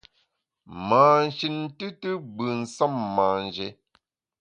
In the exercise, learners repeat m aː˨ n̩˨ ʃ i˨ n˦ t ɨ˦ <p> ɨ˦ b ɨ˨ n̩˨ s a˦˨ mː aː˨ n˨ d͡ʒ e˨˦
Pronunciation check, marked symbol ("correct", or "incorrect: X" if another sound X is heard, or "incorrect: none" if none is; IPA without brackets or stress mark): incorrect: t